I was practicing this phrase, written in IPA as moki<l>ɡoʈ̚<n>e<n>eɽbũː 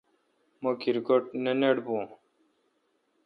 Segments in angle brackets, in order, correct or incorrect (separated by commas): incorrect, correct, correct